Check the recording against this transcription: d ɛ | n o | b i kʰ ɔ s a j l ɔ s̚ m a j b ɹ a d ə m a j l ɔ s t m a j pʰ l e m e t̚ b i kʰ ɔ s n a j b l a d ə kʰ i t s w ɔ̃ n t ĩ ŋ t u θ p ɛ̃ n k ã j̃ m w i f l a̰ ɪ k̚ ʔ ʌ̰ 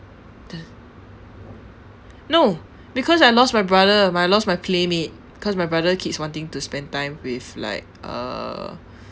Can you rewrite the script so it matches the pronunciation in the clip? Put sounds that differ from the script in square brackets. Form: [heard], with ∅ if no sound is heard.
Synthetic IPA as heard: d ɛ | n o | b i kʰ ɔ s a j l ɔ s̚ m a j b ɹ a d ə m a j l ɔ s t m a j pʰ l e m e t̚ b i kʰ ɔ s [m] a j b [ɹ] a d ə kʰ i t s w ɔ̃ n t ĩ ŋ t u [s] p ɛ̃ n [t] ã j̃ m w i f l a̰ ɪ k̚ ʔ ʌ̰

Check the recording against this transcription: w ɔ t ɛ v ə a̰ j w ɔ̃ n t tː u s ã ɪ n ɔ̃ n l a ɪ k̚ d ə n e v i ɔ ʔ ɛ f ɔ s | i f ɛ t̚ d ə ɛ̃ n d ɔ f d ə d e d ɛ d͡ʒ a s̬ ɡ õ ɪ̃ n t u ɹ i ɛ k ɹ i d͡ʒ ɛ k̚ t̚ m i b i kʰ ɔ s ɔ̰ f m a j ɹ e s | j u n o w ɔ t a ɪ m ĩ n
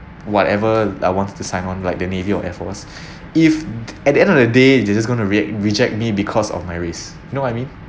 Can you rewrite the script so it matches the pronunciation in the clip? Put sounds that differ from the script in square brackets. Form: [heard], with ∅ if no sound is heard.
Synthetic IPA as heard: w ɔ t ɛ v ə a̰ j w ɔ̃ n t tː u s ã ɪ n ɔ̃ n l a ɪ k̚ d ə n e v i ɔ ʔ ɛ f ɔ s | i f ɛ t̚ d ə ɛ̃ n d ɔ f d ə d e d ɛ d͡ʒ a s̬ ɡ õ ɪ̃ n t u ɹ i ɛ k ɹ i d͡ʒ ɛ k̚ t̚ m i b i kʰ ɔ s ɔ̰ f m a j ɹ e s | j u n o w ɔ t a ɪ m ĩ n

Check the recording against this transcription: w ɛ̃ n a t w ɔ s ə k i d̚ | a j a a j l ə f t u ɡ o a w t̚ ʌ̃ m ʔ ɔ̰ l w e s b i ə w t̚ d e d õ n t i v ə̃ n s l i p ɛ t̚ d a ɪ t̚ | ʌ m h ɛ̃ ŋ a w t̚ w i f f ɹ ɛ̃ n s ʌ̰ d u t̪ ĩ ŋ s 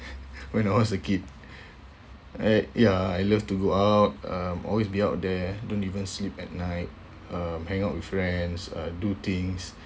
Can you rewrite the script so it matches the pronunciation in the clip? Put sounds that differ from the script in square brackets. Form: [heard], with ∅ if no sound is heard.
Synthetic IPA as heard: w ɛ̃ n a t w ɔ s ə k i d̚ | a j a a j l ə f t u ɡ o a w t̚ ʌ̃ m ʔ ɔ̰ l w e s b i [a] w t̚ d [ɛ] d õ n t i v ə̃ n s l i p ɛ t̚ [n] a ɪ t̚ | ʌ m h ɛ̃ ŋ a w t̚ w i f f ɹ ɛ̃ n s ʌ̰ d u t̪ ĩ ŋ s

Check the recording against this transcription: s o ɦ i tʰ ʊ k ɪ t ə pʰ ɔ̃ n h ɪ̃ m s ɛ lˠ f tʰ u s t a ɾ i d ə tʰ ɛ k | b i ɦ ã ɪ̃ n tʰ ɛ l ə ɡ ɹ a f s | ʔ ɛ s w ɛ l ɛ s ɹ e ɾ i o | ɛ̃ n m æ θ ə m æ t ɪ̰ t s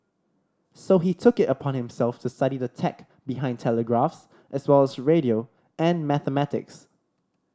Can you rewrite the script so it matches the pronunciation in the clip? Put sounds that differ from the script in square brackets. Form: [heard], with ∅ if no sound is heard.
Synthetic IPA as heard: s o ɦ i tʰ ʊ k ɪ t ə pʰ ɔ̃ n h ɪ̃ m s ɛ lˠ f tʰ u s t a ɾ i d ə tʰ ɛ k | b i ɦ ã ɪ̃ n tʰ ɛ l ə ɡ ɹ a f s | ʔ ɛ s w ɛ l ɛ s ɹ e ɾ i o | ɛ̃ n m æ θ ə m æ t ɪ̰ [k] s

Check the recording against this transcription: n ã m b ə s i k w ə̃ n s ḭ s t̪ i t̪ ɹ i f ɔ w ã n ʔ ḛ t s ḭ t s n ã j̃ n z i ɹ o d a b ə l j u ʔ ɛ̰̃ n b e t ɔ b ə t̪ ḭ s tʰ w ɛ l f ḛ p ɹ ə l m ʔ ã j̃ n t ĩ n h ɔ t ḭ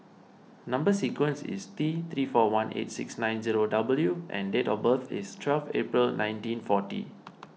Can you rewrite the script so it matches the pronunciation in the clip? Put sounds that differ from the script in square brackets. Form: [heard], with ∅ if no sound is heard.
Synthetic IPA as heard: n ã m b ə s i k w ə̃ n s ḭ s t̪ i t̪ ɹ i f ɔ w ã n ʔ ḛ t s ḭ [k] s n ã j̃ n z i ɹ o d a b ə l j u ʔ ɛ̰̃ n [d] e t ɔ b ə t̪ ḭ s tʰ w ɛ l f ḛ p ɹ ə l [n] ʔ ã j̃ n t ĩ n [f] ɔ t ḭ

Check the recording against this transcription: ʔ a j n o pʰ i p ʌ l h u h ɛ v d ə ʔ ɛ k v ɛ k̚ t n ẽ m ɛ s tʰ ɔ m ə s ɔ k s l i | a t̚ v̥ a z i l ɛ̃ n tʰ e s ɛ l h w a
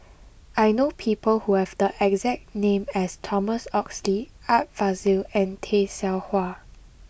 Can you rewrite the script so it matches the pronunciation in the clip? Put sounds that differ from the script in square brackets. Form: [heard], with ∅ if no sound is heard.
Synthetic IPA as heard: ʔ a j n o pʰ i p [ə] l h u h ɛ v d ə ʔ ɛ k [z] ɛ k̚ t n ẽ m ɛ s tʰ ɔ m ə s ɔ k s l i | a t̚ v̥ a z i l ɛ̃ n tʰ e s ɛ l h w a

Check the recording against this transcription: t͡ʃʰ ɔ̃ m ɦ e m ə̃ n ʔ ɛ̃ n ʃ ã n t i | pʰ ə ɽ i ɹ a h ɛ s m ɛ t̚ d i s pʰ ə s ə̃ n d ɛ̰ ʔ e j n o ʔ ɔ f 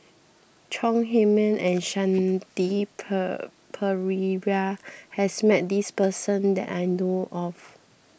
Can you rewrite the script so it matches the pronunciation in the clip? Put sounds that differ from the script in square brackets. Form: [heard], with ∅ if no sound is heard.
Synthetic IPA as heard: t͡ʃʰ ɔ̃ [ŋ] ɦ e m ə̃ n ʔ ɛ̃ n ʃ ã n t i | pʰ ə [ɹ] i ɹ a h ɛ s m ɛ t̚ d i s [p] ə s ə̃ n d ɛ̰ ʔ [a] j n o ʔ ɔ f

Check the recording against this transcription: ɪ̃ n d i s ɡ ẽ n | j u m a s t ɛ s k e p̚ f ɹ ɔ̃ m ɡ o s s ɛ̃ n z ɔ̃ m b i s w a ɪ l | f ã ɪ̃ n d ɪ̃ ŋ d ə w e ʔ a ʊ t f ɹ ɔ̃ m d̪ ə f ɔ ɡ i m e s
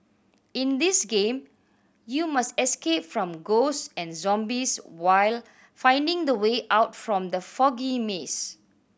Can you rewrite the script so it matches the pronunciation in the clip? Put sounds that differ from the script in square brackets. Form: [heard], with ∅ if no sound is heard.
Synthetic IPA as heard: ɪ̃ n d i s ɡ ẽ [m] | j u m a s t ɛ s k e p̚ f ɹ ɔ̃ m ɡ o s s ɛ̃ n z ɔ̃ m b i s w a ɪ l | f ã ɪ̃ n d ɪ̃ ŋ d ə w e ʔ a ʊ t f ɹ ɔ̃ m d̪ ə f ɔ ɡ i m e s

